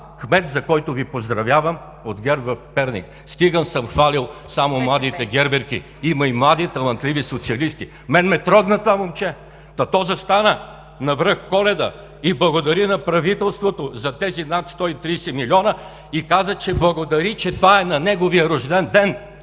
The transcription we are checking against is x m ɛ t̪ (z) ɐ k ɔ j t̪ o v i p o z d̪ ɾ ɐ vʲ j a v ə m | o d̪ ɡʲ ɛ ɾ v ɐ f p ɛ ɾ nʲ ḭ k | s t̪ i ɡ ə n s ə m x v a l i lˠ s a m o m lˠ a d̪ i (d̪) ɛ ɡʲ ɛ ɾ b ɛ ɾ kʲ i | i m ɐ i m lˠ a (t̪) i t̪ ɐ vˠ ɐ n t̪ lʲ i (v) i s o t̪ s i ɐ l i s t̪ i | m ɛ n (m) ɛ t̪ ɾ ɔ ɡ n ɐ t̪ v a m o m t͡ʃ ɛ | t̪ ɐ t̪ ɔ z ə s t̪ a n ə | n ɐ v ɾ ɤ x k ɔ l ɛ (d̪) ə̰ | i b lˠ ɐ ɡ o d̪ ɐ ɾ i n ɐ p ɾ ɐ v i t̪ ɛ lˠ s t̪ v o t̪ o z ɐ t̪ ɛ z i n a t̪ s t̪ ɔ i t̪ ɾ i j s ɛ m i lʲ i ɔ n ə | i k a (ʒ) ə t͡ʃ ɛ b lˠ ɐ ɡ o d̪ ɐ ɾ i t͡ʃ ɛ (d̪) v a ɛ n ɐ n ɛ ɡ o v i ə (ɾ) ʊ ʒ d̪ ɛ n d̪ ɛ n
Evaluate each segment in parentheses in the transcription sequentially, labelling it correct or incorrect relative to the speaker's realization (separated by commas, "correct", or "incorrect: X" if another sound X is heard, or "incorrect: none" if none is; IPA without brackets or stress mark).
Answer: correct, incorrect: t̪, incorrect: d̪, correct, correct, correct, incorrect: z, incorrect: t̪, correct